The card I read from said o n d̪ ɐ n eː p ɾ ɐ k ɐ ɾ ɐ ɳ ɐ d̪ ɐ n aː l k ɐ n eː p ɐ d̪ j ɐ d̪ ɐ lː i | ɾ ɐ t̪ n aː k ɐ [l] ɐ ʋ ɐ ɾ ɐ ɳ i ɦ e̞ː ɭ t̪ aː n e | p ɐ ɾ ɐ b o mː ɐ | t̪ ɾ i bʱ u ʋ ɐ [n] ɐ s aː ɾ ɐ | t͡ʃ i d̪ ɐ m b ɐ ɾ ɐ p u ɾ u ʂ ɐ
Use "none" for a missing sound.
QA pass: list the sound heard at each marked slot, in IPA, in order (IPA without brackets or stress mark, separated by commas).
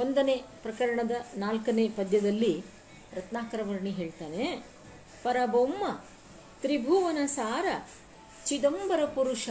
ɾ, n